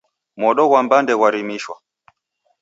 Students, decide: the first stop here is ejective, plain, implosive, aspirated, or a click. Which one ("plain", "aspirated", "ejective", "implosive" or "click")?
implosive